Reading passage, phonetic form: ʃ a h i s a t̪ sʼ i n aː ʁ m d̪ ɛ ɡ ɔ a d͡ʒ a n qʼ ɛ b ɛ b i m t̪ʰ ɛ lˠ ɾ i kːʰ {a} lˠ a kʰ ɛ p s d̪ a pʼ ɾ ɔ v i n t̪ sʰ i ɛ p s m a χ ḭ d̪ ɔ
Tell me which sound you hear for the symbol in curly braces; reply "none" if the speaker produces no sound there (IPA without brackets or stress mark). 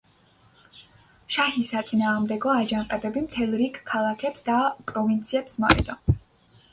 a